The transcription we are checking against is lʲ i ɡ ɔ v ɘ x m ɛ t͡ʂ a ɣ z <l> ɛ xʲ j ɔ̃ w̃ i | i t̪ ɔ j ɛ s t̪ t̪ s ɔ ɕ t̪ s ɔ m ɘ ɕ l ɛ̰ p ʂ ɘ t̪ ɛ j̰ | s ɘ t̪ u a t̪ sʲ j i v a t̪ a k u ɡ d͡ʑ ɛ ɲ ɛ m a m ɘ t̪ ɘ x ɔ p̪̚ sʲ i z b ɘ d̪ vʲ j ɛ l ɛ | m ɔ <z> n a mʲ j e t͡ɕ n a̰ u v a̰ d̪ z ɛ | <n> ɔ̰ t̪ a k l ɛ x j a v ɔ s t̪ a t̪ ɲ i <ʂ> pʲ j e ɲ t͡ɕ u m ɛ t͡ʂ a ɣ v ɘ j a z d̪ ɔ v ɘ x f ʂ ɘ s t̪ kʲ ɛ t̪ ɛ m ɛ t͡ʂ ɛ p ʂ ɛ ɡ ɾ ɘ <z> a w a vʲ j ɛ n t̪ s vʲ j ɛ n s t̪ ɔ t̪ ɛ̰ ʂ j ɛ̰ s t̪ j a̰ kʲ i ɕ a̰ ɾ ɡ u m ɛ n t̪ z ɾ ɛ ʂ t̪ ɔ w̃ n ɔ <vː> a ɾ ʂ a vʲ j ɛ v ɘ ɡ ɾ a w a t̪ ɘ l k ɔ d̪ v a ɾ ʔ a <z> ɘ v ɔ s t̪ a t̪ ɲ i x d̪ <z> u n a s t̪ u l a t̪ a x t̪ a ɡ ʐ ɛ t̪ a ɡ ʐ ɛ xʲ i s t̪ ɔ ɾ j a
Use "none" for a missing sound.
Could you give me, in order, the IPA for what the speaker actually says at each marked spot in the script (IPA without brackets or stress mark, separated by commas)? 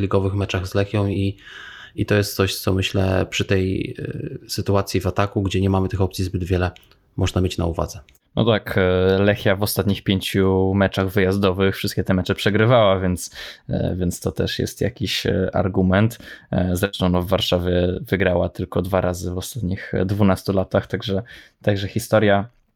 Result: l, ʐ, n, x, v, vː, z, v